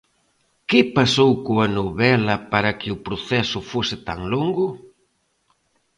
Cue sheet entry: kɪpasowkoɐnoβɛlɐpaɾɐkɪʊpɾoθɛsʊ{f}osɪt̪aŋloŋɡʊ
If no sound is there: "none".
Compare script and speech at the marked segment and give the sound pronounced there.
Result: f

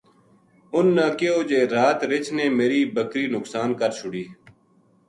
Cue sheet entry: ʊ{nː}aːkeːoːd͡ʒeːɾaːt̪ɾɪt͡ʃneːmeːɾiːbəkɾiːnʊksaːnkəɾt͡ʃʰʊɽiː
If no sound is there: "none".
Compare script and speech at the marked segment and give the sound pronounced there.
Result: nː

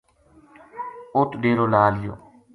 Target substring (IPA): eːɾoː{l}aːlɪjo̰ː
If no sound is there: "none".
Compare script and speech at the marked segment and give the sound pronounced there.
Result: l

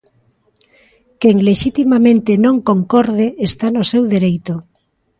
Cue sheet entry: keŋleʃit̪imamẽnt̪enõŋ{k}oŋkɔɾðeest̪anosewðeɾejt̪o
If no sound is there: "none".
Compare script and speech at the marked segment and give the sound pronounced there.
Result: k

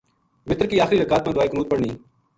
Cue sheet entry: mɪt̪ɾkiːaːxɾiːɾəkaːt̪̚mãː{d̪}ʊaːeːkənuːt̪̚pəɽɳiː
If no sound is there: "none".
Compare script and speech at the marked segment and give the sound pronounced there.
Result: d̪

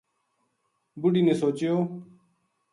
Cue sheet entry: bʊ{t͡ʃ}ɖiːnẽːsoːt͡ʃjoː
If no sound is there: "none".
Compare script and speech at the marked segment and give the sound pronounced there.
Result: none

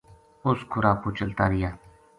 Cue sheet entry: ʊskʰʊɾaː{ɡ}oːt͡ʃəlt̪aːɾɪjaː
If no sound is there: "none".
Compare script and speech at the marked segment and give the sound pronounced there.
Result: k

